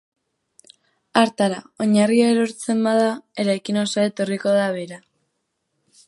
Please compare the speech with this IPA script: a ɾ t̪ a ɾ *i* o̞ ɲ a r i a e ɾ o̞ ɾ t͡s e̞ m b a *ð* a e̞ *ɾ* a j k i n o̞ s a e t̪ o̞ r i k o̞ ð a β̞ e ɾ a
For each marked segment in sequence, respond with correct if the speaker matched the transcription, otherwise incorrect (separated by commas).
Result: incorrect, correct, correct